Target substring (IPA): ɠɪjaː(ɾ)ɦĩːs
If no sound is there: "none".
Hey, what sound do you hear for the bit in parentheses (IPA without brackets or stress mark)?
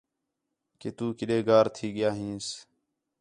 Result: none